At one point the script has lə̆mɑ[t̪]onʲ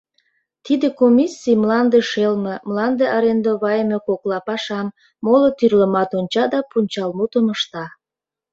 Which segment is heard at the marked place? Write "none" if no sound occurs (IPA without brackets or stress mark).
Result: t̪